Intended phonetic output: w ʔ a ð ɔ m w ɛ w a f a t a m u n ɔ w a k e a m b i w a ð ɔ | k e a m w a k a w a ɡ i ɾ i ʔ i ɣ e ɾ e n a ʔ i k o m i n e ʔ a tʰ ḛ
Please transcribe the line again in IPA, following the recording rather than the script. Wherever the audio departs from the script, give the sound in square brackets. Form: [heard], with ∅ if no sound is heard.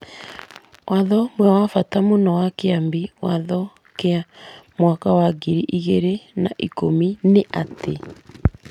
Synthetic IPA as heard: w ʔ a ð ɔ m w ɛ w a f a t a m [o] n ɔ w a k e a m b i w a ð ɔ | k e a m w a k a w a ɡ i ɾ i ʔ i ɣ e ɾ e n a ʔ i k o m i n e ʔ a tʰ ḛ